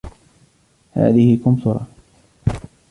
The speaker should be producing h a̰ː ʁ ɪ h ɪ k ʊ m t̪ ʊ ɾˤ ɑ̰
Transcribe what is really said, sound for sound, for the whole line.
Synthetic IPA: h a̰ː ð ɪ h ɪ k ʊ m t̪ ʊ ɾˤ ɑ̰